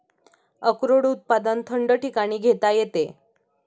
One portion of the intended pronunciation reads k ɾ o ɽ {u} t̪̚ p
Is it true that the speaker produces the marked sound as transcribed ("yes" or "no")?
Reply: yes